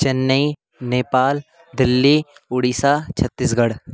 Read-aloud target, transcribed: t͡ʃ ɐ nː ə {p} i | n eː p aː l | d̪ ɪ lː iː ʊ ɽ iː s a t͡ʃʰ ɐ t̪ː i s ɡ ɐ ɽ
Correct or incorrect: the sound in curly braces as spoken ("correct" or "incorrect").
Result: incorrect